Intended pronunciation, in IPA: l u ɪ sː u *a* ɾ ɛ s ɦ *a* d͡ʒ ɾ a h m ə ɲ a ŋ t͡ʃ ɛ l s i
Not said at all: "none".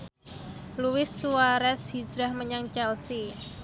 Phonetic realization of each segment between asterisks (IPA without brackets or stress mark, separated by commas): a, i